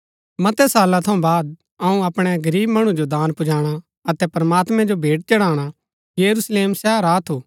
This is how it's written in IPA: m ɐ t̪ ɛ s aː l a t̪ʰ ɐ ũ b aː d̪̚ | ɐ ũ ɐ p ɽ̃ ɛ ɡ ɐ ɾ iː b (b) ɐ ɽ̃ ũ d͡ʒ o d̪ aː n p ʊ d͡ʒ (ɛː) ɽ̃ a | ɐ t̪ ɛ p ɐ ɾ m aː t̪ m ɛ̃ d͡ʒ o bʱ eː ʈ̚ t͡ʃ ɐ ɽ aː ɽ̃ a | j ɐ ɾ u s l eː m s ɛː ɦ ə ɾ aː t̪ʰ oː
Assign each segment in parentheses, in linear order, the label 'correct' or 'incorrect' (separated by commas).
incorrect, incorrect